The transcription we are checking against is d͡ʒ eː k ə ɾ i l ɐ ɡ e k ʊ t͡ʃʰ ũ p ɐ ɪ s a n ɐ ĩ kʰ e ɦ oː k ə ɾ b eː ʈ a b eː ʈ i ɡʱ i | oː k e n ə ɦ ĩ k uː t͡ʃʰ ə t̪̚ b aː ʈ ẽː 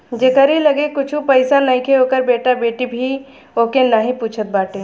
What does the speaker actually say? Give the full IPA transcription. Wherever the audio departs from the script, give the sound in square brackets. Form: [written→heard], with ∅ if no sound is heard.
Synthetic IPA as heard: d͡ʒ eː k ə ɾ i l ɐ ɡ e k ʊ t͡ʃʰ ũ p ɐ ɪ s a n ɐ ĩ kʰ e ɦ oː k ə ɾ b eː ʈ a b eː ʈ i [ɡʱ→bʱ] i | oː k e n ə ɦ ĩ [k→p] uː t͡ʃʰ ə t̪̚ b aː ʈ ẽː